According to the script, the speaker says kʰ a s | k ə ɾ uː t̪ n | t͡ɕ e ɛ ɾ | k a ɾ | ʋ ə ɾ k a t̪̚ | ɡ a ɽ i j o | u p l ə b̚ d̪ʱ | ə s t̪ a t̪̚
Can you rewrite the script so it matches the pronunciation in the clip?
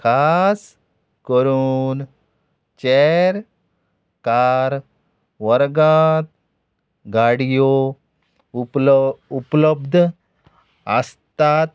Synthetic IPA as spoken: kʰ a s | k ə ɾ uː n | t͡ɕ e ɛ ɾ | k a ɾ | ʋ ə ɾ ɡ a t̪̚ | ɡ a ɽ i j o | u p l ə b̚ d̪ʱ | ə s t̪ a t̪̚